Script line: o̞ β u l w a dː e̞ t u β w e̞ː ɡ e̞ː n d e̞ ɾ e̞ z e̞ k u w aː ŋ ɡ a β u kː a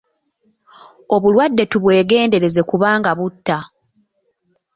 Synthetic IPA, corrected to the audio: o̞ β u l w a dː e̞ t u β w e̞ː ɡ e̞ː n d e̞ ɾ e̞ z e̞ k u β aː ŋ ɡ a β u tː a